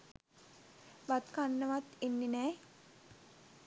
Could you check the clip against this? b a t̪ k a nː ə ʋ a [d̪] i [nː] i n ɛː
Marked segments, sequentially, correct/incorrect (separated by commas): incorrect, correct